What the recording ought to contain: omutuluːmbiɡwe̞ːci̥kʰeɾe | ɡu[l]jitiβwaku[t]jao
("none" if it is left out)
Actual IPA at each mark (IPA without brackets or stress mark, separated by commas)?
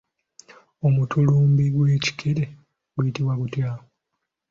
none, t